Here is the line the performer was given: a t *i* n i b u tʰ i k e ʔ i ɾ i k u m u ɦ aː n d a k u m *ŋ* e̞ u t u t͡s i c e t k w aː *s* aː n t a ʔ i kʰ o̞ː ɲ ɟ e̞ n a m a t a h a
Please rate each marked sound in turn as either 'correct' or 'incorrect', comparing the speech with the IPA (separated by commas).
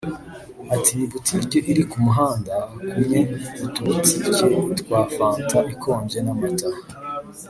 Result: correct, incorrect, incorrect